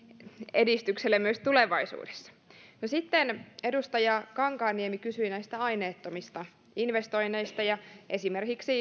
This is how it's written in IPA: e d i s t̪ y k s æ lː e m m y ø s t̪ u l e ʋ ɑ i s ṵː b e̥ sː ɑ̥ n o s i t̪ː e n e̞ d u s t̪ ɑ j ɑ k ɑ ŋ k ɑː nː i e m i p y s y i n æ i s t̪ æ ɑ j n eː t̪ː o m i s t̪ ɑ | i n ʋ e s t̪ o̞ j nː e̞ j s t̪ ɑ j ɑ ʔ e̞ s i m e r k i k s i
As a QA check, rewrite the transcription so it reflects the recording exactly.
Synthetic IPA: e d i s t̪ y k s e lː e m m y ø s t̪ u l e ʋ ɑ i s ṵː d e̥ sː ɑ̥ n o s i t̪ː e n e̞ d u s t̪ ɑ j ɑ k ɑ ŋ k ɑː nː i e m i k y s y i n æ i s t̪ æ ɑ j n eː t̪ː o m i s t̪ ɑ | i n ʋ e s t̪ o̞ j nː e̞ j s t̪ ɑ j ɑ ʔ e̞ s i m e r k i k s i